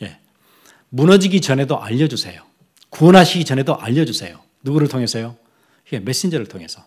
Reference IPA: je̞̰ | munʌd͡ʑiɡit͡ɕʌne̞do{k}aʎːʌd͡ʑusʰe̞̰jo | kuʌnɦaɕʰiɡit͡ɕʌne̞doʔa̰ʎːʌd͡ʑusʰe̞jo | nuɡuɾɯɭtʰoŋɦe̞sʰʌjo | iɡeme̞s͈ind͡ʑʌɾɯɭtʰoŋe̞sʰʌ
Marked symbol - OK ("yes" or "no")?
no